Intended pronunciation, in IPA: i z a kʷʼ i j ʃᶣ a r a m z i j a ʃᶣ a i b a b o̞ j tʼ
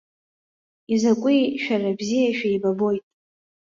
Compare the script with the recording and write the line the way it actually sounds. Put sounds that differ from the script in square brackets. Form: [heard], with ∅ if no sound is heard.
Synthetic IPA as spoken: i z a kʷʼ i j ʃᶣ a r a [b] z i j a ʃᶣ a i b a b o̞ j tʼ